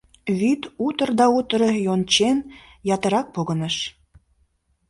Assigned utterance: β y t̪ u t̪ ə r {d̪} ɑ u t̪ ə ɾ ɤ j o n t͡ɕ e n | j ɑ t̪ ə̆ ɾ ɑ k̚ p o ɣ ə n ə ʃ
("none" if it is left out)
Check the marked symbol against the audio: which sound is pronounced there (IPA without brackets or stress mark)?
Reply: d̪